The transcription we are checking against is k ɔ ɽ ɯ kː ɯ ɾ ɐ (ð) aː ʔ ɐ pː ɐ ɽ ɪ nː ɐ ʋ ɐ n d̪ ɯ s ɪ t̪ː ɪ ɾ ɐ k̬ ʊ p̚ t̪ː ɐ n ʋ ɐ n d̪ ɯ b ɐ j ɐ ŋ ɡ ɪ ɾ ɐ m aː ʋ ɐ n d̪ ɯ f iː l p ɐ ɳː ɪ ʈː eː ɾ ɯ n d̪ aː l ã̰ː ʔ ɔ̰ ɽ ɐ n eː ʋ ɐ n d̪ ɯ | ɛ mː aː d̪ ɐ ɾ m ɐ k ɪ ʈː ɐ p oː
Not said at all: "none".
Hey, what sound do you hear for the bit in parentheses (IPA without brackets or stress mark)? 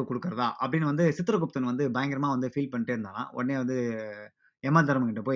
ð